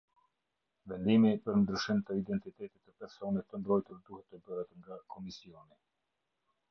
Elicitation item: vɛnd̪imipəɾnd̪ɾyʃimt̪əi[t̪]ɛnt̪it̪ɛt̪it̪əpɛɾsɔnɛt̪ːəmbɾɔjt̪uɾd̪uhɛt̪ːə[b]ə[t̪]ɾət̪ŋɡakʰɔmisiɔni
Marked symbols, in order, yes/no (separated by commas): no, yes, no